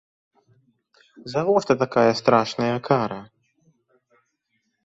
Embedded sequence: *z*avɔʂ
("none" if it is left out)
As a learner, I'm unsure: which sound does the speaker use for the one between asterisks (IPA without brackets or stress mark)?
z